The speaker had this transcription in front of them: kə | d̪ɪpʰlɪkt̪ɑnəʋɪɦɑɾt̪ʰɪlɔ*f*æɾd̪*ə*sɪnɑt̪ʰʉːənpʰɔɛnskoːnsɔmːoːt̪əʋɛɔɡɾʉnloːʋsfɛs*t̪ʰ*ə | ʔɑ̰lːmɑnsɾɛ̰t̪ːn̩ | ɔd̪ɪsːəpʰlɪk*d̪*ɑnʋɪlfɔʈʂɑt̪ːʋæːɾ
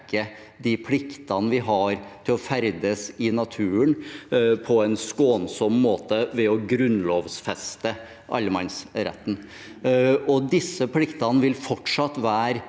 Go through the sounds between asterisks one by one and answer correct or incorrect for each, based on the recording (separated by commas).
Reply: correct, correct, incorrect, incorrect